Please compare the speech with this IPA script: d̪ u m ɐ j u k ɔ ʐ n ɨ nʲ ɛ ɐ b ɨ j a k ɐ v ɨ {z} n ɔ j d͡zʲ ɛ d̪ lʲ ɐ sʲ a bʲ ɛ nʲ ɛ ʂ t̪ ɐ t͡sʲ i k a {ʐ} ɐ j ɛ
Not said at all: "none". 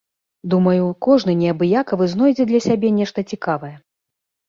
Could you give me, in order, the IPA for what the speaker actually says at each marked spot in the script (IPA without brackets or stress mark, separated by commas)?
z, v